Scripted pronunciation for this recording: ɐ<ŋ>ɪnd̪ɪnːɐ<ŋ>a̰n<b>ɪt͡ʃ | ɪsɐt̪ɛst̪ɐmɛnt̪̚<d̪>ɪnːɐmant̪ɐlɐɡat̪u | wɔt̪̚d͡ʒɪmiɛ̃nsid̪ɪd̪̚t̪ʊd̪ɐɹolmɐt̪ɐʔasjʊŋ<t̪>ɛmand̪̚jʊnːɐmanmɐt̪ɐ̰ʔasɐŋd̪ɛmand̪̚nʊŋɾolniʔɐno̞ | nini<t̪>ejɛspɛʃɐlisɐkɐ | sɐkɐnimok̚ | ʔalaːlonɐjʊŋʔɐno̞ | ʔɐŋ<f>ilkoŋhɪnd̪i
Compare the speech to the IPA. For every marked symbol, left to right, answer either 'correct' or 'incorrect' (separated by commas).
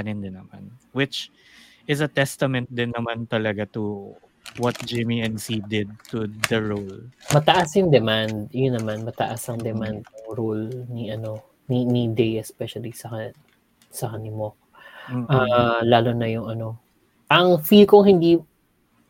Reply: incorrect, incorrect, incorrect, correct, incorrect, incorrect, correct